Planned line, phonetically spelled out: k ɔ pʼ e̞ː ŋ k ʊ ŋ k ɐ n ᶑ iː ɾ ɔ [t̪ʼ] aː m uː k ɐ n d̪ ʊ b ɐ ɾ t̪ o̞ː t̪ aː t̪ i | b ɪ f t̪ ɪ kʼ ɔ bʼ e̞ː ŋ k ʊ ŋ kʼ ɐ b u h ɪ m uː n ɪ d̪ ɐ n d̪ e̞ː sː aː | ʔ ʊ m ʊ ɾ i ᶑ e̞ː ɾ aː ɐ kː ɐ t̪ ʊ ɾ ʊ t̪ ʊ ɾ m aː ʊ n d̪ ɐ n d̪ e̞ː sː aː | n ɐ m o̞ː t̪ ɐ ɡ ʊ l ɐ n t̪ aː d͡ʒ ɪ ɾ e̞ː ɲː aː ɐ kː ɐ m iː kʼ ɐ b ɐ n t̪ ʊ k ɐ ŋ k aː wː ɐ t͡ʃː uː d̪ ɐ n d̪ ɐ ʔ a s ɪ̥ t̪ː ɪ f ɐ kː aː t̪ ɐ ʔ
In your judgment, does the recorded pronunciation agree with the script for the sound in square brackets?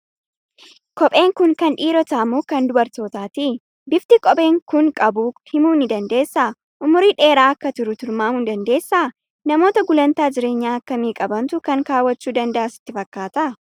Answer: no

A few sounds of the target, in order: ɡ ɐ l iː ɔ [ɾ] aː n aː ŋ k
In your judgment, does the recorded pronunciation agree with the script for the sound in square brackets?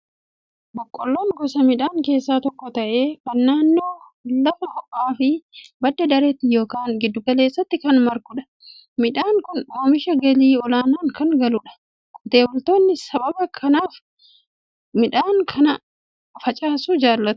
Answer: no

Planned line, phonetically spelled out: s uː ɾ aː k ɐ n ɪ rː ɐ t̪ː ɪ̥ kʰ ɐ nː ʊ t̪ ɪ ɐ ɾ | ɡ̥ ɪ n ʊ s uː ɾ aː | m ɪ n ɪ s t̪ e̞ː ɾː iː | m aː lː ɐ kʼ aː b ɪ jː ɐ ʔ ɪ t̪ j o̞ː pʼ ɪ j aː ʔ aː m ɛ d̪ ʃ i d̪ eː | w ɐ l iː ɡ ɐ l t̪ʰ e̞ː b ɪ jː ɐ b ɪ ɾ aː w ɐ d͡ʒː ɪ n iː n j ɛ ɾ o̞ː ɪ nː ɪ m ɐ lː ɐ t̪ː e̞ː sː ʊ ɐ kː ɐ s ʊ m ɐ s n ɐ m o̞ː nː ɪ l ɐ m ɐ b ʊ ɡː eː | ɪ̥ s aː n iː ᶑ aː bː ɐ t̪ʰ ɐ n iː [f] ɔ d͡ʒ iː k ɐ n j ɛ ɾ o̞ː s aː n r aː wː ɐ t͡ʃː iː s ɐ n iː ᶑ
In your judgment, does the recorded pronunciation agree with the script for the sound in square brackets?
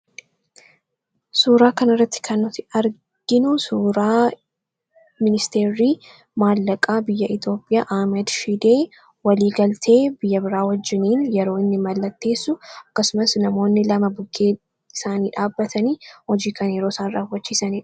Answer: no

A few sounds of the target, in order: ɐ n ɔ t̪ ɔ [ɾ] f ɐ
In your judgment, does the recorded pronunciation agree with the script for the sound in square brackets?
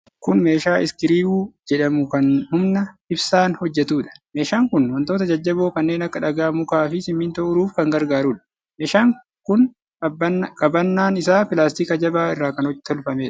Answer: no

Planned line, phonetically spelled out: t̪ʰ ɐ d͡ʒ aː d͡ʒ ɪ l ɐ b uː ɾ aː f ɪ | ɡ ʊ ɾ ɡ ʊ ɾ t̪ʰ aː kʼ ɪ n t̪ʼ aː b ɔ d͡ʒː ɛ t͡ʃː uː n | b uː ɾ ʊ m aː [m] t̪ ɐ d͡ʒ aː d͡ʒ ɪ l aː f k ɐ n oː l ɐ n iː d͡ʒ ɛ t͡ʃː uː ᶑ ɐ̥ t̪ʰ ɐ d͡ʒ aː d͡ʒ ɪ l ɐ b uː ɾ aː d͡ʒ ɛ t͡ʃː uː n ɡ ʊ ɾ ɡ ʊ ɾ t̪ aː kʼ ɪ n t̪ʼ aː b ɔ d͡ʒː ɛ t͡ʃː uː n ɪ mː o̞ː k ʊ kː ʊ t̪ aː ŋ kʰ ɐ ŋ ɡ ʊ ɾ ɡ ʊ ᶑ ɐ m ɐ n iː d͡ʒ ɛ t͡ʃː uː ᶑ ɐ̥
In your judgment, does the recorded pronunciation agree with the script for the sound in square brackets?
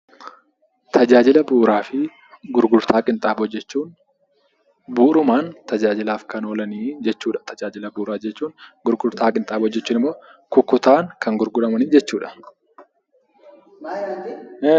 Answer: no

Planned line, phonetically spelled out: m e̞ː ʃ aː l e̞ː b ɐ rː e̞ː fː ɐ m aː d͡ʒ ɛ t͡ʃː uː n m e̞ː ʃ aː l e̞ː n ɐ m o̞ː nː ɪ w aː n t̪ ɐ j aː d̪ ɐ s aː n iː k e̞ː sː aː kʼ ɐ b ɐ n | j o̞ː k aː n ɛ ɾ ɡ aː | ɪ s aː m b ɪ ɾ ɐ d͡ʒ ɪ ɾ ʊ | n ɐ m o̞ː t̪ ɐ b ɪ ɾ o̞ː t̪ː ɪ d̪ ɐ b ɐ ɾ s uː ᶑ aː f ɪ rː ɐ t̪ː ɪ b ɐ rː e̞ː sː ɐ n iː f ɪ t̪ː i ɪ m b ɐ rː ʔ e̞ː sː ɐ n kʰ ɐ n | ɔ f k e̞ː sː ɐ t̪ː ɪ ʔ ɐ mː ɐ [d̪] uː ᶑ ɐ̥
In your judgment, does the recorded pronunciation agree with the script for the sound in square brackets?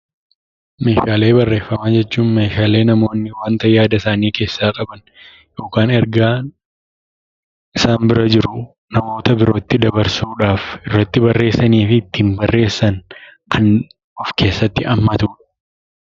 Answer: no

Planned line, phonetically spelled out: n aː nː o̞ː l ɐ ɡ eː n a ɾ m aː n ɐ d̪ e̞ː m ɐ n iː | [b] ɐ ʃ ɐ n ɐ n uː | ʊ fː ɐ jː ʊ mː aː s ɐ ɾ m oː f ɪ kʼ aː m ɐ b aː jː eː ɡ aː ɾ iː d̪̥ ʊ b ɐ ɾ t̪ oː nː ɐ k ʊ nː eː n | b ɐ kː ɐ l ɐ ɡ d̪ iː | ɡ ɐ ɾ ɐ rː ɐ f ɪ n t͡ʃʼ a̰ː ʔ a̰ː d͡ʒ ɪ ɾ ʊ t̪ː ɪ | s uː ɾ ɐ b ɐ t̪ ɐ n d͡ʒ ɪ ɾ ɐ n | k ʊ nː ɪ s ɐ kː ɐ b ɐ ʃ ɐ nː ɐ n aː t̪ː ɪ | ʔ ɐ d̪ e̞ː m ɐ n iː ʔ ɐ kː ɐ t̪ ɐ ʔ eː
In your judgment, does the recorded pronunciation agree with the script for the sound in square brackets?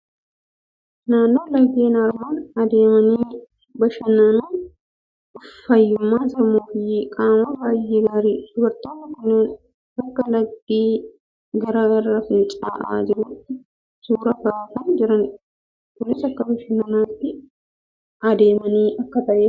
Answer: yes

